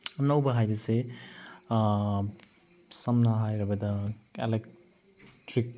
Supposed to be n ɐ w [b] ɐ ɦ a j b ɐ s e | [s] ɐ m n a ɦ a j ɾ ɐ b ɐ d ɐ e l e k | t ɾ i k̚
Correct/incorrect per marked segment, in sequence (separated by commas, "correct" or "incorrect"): correct, correct